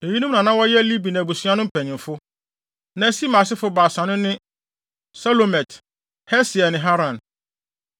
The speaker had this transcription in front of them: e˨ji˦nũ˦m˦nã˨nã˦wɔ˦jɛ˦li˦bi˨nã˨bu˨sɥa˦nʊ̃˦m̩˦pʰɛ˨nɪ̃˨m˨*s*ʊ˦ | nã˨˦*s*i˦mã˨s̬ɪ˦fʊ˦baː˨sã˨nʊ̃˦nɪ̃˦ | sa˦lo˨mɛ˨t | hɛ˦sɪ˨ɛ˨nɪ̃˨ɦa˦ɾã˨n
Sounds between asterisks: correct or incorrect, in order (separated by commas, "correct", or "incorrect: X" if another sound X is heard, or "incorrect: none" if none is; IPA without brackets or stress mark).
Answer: incorrect: f, correct